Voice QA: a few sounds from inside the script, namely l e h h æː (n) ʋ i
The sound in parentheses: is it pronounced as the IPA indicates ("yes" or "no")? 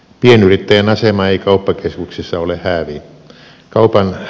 no